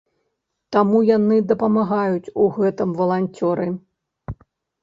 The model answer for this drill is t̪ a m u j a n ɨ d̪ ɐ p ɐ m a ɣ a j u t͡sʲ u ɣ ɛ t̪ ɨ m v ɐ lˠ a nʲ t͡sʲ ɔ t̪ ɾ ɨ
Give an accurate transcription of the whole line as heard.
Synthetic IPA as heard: t̪ a m u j a n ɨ d̪ ɐ p ɐ m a ɣ a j u t͡sʲ u ɣ ɛ t̪ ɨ m v ɐ lˠ a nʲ t͡sʲ ɔ ɾ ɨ